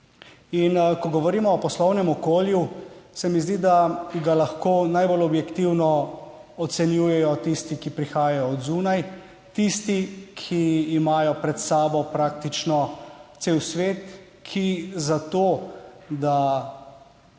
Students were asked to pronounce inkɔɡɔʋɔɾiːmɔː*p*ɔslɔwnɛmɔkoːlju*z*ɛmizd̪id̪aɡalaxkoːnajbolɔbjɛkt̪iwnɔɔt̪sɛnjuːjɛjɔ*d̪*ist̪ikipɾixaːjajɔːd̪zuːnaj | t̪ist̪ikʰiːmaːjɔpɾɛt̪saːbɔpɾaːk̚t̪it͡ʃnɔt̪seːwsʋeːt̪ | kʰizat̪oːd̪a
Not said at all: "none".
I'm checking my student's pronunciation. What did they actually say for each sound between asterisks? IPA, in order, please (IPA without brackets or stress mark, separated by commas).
p, s, t̪